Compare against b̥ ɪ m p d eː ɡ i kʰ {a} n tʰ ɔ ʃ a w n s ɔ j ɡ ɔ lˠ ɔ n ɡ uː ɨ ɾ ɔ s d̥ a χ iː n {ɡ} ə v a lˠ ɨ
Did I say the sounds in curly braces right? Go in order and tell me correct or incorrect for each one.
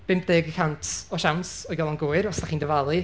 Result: correct, incorrect: d

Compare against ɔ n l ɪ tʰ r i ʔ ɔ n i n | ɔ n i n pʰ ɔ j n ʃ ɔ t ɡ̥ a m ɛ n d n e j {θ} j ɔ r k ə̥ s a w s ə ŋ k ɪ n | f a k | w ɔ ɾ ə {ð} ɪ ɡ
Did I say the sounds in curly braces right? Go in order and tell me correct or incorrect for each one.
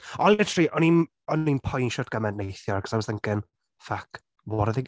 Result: correct, correct

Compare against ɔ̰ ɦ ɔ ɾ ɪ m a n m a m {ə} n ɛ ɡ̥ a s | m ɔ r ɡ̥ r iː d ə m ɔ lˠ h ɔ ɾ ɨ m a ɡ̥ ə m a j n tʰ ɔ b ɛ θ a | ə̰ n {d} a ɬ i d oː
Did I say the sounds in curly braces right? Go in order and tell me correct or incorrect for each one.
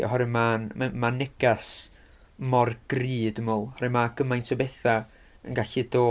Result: incorrect: a, incorrect: ɡ

